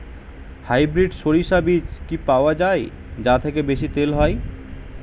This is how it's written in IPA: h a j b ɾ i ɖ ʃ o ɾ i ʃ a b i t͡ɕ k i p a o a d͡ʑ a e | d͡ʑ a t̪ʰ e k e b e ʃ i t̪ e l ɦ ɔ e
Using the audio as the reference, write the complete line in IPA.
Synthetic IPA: h a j b ɾ i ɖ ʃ o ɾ i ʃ a b i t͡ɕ k i p a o a d͡ʑ a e | d͡ʑ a t̪ʰ e k e b e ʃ i t̪ e l ɦ ɔ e